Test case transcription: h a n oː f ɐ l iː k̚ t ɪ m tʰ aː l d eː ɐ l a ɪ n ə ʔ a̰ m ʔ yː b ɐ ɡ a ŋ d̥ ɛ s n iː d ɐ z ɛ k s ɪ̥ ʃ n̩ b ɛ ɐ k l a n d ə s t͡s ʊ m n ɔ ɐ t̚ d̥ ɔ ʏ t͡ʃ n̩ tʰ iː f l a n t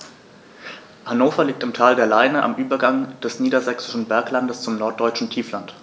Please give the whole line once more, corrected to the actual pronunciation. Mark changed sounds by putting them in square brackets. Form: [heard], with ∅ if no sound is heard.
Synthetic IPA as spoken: h a n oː f ɐ l iː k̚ t ɪ m tʰ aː l d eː ɐ l a ɪ n ə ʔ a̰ m ʔ yː b ɐ ɡ a ŋ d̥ ɛ s n iː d ɐ z ɛ k s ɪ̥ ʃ n̩ b ɛ ɐ k l a n d ə s t͡s ʊ m n ɔ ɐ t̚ d̥ ɔ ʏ t͡ʃ n̩ tʰ iː f l a n t